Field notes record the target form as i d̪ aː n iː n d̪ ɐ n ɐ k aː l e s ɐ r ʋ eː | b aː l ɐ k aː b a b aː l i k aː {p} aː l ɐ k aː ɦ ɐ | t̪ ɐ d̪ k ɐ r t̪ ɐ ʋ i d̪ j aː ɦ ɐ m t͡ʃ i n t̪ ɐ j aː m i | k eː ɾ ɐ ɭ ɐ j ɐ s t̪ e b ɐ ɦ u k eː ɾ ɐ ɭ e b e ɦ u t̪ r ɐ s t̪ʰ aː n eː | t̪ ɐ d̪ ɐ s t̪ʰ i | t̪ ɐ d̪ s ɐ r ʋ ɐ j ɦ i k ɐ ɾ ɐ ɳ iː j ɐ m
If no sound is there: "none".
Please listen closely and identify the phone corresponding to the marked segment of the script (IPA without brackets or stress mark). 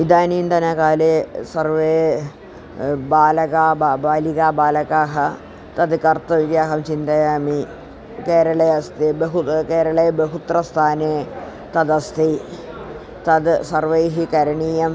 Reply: b